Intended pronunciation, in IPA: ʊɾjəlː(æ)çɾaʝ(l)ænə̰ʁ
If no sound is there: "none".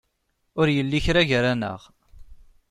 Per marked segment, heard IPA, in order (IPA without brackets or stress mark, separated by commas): i, ɾ